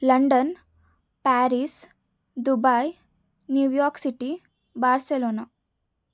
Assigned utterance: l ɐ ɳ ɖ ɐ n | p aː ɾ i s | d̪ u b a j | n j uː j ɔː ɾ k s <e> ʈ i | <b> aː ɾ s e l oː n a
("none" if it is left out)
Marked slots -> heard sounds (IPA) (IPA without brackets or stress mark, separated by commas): i, b